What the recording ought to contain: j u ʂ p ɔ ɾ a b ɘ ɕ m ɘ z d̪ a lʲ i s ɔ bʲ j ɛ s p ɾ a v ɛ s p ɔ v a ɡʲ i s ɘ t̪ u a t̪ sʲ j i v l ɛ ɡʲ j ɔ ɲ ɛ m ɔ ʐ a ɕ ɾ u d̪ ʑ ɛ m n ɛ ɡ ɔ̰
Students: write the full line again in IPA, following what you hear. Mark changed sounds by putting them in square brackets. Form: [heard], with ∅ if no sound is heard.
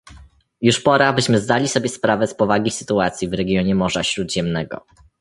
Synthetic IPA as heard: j u ʂ p ɔ ɾ a b ɘ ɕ m ɘ z d̪ a lʲ i s ɔ bʲ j ɛ s p ɾ a v ɛ s p ɔ v a ɡʲ i s ɘ t̪ u a t̪ sʲ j i v [ɾ] ɛ ɡʲ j ɔ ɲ ɛ m ɔ ʐ a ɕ ɾ u d̪ ʑ ɛ m n ɛ ɡ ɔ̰